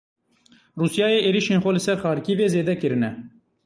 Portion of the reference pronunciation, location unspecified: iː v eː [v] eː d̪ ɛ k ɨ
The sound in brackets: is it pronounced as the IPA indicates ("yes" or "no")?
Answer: no